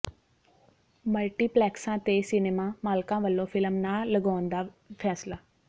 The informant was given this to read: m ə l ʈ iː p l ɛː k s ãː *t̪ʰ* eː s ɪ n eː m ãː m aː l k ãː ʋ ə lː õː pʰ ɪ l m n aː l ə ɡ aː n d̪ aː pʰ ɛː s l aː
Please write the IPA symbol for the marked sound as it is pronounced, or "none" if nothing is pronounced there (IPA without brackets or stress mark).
t̪